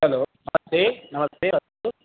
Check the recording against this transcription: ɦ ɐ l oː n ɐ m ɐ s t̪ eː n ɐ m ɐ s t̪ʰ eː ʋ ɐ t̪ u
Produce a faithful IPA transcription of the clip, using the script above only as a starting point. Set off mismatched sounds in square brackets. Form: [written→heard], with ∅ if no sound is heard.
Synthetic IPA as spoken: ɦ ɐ l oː n ɐ m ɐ s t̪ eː n ɐ m ɐ s [t̪ʰ→t̪] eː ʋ ɐ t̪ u